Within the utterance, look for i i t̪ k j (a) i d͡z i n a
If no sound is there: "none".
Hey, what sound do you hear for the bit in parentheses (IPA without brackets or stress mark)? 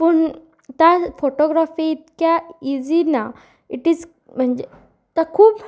a